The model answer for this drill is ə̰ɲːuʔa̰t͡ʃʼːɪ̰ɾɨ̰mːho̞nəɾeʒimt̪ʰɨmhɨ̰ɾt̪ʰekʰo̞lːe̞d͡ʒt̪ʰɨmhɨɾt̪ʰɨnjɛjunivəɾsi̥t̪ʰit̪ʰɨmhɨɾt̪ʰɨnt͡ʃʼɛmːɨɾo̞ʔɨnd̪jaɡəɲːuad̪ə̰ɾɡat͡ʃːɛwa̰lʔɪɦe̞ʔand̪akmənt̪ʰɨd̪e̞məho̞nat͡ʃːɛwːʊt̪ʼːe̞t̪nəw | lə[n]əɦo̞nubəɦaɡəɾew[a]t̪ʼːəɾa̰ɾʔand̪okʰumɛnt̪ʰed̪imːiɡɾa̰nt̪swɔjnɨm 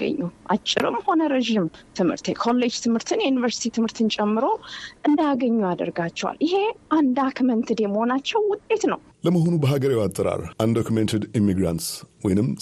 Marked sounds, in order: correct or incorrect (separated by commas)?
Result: incorrect, correct